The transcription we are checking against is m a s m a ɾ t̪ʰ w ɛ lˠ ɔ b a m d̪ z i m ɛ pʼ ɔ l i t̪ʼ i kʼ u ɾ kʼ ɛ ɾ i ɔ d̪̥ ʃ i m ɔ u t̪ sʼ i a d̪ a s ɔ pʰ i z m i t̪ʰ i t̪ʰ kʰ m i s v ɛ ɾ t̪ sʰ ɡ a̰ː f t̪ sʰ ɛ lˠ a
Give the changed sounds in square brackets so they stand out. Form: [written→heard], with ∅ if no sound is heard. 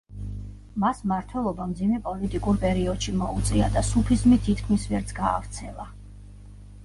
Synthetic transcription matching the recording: m a s m a ɾ t̪ʰ w ɛ lˠ ɔ b a m d̪ z i m ɛ pʼ ɔ l i t̪ʼ i kʼ u ɾ [kʼ→pʼ] ɛ ɾ i ɔ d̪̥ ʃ i m ɔ u t̪ sʼ i a d̪ a s [ɔ→u] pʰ i z m i t̪ʰ i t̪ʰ kʰ m i s v ɛ ɾ t̪ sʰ ɡ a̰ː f t̪ sʰ ɛ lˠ a